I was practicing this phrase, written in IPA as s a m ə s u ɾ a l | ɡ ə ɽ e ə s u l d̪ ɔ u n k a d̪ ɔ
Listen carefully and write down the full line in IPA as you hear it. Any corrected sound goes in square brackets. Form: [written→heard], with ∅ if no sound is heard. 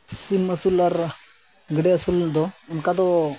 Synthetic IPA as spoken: s [a→i] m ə s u [ɾ→l] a [l→ɾ] | ɡ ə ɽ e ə s u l d̪ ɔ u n k a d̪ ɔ